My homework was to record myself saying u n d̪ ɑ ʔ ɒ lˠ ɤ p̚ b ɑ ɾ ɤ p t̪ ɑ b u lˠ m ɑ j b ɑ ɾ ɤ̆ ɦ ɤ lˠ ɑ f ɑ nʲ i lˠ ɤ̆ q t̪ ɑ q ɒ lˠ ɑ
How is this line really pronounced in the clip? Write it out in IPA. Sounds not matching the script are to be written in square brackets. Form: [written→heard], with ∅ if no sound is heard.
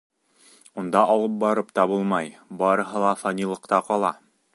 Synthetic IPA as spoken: u n d̪ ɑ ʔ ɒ lˠ ɤ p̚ b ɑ ɾ ɤ p t̪ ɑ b u lˠ m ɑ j b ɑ ɾ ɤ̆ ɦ ɤ lˠ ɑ f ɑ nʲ i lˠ ɤ̆ q t̪ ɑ q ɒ lˠ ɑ